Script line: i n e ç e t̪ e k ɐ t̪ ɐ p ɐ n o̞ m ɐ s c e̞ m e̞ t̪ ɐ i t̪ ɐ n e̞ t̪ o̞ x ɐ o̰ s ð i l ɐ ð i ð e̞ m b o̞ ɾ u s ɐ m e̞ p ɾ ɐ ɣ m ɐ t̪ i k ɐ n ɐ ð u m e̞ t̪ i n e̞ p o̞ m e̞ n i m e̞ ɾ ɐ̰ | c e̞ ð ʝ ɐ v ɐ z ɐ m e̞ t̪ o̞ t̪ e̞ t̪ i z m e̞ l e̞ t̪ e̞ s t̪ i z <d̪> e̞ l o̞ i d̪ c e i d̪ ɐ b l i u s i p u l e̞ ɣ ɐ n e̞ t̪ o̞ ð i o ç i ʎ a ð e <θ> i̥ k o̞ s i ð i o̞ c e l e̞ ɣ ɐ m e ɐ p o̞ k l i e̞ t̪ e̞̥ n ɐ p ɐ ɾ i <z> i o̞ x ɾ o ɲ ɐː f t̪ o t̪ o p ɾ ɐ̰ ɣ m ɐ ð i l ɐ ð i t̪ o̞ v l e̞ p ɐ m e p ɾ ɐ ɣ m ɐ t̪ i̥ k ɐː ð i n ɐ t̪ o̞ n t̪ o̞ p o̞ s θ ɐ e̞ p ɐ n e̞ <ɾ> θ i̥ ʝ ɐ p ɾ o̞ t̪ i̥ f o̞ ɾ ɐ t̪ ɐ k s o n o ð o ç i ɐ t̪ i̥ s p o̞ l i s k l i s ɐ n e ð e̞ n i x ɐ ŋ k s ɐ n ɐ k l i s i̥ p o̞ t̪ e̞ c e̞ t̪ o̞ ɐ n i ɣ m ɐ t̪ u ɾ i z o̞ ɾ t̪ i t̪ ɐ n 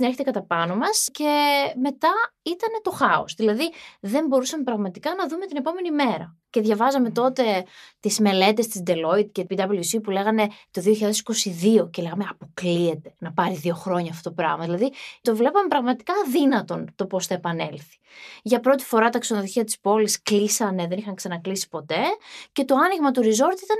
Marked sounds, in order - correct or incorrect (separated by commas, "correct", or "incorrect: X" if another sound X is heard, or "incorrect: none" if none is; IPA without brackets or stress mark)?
correct, incorrect: s, incorrect: ð, incorrect: l